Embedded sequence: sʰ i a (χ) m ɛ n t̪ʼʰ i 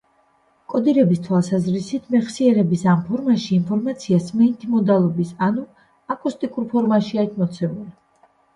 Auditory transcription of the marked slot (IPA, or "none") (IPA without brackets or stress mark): s